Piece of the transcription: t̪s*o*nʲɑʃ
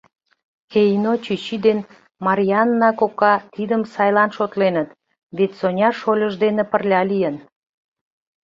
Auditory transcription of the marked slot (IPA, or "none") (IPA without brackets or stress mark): o